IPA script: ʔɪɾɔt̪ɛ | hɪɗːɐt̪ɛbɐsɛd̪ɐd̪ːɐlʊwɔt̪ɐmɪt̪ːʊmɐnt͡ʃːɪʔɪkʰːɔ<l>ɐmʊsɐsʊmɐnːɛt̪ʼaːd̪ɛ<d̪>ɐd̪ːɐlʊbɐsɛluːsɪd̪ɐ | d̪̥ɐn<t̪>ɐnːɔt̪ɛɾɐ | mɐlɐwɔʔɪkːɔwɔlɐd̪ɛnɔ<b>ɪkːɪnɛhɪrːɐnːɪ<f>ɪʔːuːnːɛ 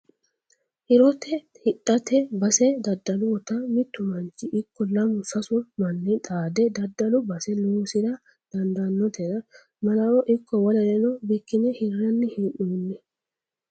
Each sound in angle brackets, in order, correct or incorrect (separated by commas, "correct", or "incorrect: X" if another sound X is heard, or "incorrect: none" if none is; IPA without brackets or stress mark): correct, correct, incorrect: d̪, correct, incorrect: h